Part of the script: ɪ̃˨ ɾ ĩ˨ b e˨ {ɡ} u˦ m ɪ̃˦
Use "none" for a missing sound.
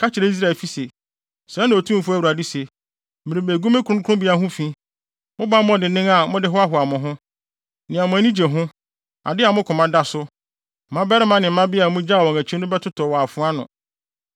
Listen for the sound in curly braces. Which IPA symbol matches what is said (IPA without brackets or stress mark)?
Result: ɡ